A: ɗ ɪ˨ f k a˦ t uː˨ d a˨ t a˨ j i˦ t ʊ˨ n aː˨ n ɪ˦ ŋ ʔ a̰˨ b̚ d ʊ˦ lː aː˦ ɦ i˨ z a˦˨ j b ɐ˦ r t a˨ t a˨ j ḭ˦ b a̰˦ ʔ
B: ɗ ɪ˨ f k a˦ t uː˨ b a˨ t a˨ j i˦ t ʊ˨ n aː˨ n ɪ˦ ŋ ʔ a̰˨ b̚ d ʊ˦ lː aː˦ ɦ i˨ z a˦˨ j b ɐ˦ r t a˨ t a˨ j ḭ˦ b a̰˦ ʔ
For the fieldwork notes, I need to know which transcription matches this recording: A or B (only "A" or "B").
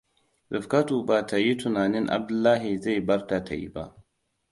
B